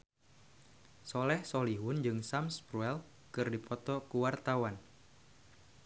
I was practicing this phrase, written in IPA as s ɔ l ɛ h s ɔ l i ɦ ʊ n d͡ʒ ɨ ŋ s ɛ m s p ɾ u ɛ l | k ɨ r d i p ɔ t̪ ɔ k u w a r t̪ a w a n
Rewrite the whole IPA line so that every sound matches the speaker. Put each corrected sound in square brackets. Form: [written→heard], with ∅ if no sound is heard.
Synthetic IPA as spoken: s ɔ l ɛ h s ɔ l i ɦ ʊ n d͡ʒ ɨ ŋ s [ɛ→a] m s p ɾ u ɛ l | k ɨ r d i p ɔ t̪ ɔ k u w a r t̪ a w a n